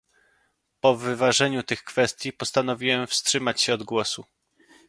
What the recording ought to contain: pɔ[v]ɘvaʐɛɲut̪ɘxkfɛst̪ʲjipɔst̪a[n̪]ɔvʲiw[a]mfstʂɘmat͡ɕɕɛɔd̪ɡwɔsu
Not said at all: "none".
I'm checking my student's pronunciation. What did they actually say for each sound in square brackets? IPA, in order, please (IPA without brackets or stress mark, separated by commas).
v, n̪, ɛ